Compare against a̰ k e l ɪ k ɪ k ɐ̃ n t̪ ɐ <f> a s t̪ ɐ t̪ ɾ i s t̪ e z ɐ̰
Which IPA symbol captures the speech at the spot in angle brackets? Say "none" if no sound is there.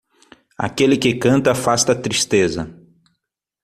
f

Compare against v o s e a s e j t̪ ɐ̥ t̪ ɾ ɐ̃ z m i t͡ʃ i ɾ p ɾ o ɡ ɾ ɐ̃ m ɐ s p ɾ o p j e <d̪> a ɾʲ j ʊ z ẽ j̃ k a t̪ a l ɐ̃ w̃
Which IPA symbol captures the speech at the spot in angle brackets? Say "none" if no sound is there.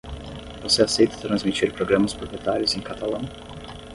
t̪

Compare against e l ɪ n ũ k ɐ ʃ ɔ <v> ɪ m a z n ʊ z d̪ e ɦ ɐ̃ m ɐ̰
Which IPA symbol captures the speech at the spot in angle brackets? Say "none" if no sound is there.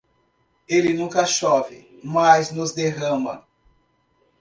v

